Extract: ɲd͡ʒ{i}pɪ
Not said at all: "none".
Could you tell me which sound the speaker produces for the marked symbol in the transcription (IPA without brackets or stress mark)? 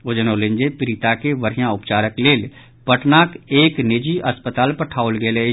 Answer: e